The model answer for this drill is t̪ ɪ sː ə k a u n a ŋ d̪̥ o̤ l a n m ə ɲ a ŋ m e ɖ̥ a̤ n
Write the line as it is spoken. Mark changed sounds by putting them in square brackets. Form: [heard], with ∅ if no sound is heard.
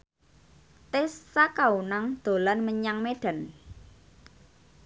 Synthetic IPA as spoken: t̪ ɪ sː [a] k a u n a ŋ d̪̥ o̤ l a n m ə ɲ a ŋ m e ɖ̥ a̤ n

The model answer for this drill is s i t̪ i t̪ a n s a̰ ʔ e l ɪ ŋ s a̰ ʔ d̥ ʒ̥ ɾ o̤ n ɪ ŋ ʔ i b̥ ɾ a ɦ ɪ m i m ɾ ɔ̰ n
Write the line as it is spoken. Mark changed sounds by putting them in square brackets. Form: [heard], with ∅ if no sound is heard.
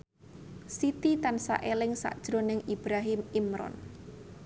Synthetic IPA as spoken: s i t̪ i t̪ a n s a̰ ʔ e l ɪ ŋ s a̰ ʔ d̥ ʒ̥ ɾ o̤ n ɪ ŋ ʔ i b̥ ɾ a ɦ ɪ m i m ɾ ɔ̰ n

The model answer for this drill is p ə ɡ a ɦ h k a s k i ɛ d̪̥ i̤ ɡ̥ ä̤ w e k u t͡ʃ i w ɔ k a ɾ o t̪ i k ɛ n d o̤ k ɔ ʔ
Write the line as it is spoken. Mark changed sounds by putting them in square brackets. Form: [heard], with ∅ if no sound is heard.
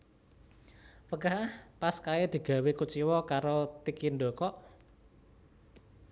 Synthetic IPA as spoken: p ə ɡ a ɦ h [p] a s k [a] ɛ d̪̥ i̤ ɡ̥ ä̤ w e k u t͡ʃ i w ɔ k a ɾ o t̪ i k [i] n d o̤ k ɔ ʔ

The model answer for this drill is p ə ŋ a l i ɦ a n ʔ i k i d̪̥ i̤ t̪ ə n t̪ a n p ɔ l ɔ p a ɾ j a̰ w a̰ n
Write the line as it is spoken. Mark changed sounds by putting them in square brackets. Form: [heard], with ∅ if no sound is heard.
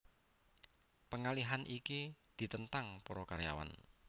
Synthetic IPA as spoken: p ə ŋ a l i ɦ a n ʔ i k i d̪̥ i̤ t̪ ə n t̪ a [ŋ] p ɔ [ɾ] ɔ [k] a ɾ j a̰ w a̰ n

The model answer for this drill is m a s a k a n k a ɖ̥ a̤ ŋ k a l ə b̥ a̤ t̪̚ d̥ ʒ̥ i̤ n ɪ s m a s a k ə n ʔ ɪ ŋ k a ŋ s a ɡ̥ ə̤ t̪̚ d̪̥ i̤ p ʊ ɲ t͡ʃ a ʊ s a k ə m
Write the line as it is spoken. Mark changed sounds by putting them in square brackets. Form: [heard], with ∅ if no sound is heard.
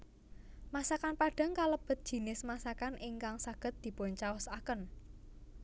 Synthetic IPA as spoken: m a s a k a n [p] a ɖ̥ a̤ ŋ k a l ə b̥ [ə̤] t̪̚ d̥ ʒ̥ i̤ n ɪ s m a s a k [a] n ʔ ɪ ŋ k a ŋ s a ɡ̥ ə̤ t̪̚ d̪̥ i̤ p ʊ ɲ t͡ʃ a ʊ s a k ə [n]

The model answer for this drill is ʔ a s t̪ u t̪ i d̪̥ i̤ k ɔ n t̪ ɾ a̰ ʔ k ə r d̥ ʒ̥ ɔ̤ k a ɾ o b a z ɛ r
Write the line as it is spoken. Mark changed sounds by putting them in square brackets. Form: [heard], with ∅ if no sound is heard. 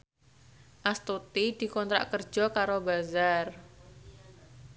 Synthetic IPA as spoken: ʔ a s t̪ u t̪ i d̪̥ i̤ k ɔ n t̪ ɾ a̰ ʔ k ə r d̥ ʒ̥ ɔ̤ k a ɾ o b a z [a] r

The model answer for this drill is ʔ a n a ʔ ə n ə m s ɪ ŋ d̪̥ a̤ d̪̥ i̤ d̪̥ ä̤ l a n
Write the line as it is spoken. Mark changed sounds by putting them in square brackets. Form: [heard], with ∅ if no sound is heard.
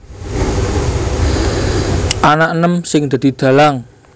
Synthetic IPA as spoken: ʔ a n a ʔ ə n ə m s ɪ ŋ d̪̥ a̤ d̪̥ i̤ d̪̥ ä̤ l a [ŋ]

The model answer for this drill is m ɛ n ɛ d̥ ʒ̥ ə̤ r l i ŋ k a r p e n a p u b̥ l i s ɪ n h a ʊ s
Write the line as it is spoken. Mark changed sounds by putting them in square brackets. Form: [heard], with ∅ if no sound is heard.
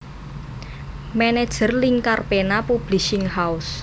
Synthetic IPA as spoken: m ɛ n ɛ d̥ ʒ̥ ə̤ r l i ŋ k a r p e n a p u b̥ l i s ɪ [ŋ] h a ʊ s

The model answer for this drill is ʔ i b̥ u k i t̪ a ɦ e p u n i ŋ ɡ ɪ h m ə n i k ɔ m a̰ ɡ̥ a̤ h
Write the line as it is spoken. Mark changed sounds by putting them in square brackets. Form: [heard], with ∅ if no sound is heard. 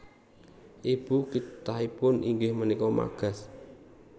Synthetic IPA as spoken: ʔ i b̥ u k i t̪ a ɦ [i] p [ʊ] n i ŋ ɡ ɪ h m ə n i k ɔ m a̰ ɡ̥ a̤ [s]

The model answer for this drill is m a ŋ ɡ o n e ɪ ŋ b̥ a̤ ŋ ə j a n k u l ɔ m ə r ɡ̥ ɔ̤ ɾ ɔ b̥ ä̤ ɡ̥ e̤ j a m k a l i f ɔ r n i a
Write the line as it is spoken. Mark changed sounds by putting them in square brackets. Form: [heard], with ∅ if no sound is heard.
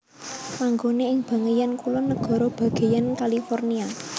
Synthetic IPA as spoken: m a ŋ ɡ o n e ɪ ŋ b̥ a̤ ŋ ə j a n k u l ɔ [n] ə [∅] ɡ̥ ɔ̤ ɾ ɔ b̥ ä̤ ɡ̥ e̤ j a [n] k a l i f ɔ r n i a

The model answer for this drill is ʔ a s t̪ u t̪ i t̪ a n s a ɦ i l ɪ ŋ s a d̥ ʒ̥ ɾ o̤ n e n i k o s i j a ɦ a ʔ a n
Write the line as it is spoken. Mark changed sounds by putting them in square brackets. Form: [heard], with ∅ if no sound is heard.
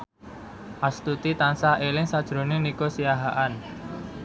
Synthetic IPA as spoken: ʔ a s t̪ u t̪ i t̪ a n s a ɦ [e] l ɪ ŋ s a d̥ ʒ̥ ɾ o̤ n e n i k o s i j a ɦ a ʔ a n

